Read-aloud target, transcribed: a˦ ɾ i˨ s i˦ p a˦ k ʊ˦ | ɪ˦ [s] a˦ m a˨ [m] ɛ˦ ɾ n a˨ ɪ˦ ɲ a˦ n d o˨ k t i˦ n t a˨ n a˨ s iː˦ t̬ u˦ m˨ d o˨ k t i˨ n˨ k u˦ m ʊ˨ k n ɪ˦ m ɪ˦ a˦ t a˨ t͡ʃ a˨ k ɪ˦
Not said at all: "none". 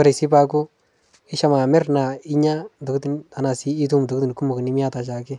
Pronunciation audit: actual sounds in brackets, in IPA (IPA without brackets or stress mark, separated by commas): ʃ, m